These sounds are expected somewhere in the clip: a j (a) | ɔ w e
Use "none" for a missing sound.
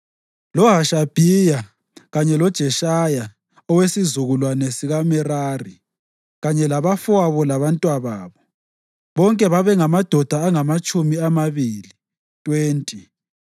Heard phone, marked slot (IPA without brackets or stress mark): a